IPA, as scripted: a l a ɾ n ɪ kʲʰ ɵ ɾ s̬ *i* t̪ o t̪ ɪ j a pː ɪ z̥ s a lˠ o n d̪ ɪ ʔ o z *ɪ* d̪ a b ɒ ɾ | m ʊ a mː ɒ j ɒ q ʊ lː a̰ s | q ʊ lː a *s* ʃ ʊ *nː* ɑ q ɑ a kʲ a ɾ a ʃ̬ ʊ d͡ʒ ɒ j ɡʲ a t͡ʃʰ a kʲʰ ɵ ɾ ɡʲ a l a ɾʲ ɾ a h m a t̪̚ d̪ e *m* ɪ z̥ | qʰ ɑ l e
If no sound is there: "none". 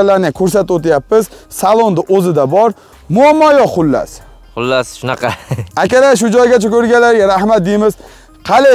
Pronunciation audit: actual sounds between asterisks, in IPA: a, ɪ, s, n, m

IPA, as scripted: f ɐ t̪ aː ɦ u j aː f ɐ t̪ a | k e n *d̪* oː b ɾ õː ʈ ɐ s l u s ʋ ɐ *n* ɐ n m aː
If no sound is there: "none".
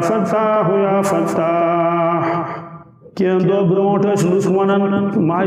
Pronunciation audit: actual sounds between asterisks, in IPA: d̪, n

